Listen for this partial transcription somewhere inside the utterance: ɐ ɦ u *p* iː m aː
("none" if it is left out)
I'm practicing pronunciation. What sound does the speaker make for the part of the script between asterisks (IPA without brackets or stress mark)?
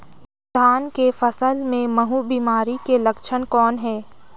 b